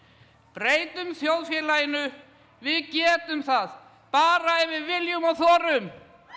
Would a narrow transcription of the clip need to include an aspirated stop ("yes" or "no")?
no